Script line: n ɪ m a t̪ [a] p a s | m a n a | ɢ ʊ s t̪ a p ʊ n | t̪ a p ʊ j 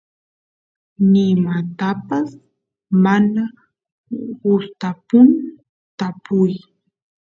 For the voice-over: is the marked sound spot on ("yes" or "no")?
yes